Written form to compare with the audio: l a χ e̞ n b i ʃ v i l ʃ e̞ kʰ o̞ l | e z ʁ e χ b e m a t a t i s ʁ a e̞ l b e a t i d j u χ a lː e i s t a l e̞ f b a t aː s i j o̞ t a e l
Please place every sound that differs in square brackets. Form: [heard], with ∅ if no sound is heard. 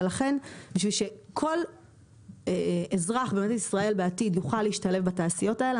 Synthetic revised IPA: l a χ e̞ n b i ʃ v i l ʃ e̞ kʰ o̞ l | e z ʁ [a] χ b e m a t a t i s ʁ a e̞ l b e a t i d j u χ a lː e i [ʃ] t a l e̞ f b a t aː s i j o̞ t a e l